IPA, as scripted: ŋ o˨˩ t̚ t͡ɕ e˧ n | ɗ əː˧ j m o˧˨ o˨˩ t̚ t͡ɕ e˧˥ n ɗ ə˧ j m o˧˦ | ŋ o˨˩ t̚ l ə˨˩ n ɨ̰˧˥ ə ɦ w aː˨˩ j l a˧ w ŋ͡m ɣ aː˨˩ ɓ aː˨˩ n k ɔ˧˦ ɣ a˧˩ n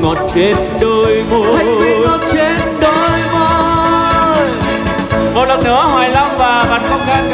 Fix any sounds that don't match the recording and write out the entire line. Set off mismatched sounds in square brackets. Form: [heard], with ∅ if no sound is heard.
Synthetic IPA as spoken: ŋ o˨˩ t̚ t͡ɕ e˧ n | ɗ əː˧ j m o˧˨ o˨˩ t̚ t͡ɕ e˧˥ n ɗ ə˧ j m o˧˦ | [m] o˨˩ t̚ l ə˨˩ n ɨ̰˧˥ ə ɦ w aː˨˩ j l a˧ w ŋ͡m [v] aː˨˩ ɓ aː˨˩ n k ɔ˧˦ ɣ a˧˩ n